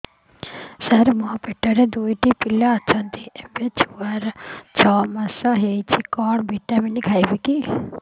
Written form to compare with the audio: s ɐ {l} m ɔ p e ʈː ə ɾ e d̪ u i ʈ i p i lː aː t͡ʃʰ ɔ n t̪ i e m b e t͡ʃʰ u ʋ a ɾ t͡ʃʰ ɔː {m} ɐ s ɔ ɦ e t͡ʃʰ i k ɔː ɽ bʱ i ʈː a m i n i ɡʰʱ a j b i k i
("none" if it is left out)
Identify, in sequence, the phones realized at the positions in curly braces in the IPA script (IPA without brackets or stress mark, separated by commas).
ɾ, m